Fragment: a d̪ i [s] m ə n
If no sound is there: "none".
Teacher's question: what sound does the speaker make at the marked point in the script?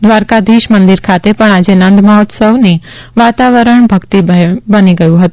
ʃ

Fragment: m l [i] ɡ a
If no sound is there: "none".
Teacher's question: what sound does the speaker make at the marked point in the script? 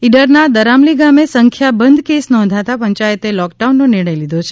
i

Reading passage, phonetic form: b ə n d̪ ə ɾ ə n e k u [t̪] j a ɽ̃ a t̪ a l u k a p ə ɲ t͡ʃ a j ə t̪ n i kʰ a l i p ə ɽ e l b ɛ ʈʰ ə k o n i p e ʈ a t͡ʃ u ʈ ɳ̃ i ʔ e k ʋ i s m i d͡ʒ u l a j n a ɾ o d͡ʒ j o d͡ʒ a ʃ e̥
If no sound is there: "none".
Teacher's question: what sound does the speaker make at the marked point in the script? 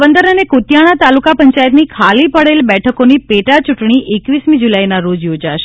t̪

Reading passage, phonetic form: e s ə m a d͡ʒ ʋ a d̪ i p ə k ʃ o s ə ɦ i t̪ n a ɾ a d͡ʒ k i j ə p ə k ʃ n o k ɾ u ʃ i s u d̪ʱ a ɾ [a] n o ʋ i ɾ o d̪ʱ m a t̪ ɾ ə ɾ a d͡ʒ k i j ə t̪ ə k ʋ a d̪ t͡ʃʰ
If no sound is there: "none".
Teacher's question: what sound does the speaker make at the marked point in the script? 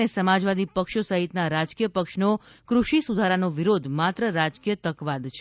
a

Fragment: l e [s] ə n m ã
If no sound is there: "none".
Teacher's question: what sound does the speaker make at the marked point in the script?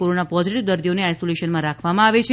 ʃ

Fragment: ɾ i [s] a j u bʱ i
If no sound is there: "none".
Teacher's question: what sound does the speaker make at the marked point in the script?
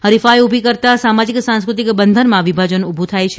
f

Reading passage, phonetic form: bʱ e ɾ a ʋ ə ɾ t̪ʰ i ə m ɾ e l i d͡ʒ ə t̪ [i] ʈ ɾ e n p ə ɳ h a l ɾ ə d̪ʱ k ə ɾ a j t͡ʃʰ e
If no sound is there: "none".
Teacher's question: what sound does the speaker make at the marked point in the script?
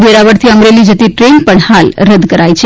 i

